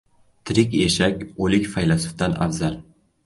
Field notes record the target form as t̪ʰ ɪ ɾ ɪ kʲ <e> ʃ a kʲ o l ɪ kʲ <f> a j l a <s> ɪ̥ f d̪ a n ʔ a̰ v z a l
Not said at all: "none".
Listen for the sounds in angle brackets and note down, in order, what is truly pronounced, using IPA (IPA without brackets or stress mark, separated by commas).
e, f, s